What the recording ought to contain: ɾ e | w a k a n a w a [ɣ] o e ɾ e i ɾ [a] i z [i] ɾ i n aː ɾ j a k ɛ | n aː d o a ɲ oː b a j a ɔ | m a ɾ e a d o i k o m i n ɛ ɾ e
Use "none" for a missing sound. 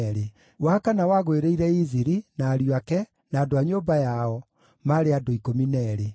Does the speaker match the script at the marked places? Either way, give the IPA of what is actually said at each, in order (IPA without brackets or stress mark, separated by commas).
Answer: ɣ, ɛ, i